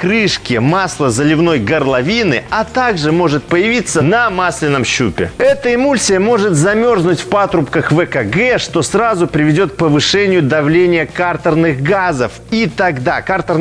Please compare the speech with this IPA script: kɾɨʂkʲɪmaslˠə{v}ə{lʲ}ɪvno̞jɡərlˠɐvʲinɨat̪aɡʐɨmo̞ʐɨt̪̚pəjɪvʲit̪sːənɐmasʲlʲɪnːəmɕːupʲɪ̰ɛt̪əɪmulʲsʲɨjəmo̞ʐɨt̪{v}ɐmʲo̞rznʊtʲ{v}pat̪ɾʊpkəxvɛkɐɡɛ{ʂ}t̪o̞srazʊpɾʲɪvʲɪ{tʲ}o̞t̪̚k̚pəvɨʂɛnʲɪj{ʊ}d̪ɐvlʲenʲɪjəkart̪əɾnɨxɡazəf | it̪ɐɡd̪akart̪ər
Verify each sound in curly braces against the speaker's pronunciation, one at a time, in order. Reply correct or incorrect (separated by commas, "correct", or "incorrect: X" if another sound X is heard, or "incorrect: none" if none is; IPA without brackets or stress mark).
incorrect: z, correct, incorrect: z, incorrect: f, correct, incorrect: dʲ, correct